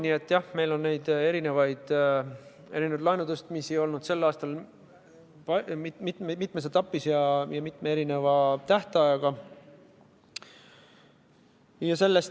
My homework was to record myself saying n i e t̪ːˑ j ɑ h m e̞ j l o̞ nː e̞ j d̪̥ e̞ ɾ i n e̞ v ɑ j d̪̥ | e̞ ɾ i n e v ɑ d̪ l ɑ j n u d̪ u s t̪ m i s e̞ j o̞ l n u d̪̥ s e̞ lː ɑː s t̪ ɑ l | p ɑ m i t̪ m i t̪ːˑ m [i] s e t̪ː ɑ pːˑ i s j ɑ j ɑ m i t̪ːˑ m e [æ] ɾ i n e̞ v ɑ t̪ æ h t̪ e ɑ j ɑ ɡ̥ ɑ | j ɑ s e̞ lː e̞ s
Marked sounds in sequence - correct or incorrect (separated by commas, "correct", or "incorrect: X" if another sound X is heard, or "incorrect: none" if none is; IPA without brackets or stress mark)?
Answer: incorrect: e, incorrect: e